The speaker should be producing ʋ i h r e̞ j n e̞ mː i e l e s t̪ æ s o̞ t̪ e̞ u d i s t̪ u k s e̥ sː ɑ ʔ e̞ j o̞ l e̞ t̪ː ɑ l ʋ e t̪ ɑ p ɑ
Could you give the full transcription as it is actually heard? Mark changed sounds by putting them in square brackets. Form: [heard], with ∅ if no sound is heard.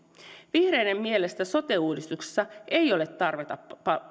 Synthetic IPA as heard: ʋ i h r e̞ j n e̞ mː i e l e s t̪ æ s o̞ t̪ e̞ [uː] d i s t̪ u k s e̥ sː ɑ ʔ e̞ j o̞ l e̞ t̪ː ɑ [r] ʋ e t̪ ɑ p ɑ

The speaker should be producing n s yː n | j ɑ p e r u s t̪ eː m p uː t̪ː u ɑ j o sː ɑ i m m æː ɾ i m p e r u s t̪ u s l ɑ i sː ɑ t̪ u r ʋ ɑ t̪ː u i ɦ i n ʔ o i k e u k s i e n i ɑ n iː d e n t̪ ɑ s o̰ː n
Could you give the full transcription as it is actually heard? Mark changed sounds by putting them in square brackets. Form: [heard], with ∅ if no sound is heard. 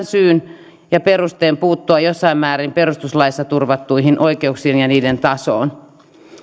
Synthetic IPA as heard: n s yː n | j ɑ p e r u s t̪ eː m p uː t̪ː u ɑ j o sː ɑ i m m æː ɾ i m p e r u s t̪ u s l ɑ i sː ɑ t̪ u r ʋ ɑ t̪ː u i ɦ i n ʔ o i k e u k s i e n [j] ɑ n iː d e n t̪ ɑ s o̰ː n

